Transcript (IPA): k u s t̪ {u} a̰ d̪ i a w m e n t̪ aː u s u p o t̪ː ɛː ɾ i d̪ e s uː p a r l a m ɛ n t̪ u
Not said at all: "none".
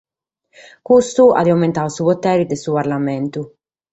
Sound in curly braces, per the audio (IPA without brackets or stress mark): u